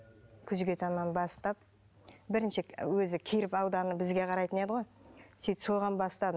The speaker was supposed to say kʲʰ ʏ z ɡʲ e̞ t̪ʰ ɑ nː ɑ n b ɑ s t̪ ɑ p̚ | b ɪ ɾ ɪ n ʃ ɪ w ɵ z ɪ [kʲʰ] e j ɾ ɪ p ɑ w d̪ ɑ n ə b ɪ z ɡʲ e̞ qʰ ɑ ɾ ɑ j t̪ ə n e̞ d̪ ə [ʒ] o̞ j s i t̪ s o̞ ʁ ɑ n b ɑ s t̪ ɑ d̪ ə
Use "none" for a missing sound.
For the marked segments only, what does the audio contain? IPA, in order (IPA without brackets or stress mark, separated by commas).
kʲʰ, ʁ